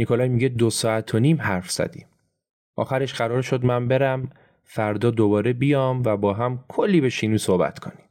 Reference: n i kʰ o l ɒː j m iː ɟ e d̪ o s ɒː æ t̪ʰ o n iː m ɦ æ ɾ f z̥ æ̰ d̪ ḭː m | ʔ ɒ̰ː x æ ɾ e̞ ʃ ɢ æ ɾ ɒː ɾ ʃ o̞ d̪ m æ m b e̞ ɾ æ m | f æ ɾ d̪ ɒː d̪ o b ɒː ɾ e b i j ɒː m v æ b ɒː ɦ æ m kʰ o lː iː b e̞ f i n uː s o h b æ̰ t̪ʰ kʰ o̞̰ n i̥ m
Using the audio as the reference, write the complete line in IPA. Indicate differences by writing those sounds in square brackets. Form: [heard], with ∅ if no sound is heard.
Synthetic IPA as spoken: n i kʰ o l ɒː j m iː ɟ e d̪ o s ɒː æ t̪ʰ o n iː m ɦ æ ɾ f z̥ æ̰ d̪ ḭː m | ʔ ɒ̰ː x æ ɾ e̞ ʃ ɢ æ ɾ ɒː ɾ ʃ o̞ d̪ m æ m b e̞ ɾ æ m | f æ ɾ d̪ ɒː d̪ o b ɒː ɾ e b i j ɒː m v æ b ɒː ɦ æ m kʰ o lː iː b e̞ [ʃ] i n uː s o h b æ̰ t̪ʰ kʰ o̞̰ n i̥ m